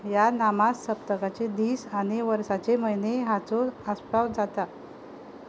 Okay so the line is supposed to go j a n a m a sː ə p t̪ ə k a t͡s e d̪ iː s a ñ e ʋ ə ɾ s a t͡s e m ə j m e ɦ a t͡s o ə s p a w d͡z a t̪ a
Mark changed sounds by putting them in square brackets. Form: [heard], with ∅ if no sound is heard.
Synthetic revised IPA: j a n a m a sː ə p t̪ ə k a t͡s e d̪ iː s a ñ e ʋ ə ɾ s a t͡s e m ə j [n] e ɦ a t͡s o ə s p a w d͡z a t̪ a